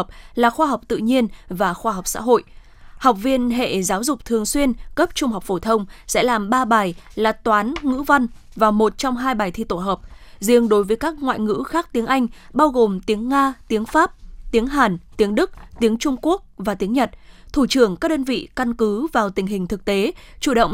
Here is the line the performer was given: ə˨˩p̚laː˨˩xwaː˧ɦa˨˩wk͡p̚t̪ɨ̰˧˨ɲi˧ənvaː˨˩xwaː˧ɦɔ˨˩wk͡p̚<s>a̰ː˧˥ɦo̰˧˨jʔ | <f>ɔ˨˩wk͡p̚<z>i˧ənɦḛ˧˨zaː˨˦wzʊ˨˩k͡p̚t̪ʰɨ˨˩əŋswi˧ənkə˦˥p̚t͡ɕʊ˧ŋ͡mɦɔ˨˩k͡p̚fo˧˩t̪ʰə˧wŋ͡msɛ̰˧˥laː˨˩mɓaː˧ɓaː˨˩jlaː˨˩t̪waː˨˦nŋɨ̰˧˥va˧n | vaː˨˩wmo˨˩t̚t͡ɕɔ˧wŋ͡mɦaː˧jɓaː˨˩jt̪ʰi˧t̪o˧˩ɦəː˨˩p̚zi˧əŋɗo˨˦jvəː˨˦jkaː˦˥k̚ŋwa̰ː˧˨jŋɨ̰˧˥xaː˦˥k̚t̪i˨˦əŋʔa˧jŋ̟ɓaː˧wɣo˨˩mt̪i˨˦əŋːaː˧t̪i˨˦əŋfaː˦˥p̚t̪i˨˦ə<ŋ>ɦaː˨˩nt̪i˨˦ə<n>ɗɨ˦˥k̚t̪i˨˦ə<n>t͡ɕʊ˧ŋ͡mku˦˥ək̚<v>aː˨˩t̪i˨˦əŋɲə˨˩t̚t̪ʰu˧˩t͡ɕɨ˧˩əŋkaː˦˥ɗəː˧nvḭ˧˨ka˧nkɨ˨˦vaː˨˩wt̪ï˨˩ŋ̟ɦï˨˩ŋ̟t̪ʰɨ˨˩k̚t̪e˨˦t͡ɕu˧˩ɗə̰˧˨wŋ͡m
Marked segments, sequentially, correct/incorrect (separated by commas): correct, incorrect, incorrect, correct, incorrect, incorrect, correct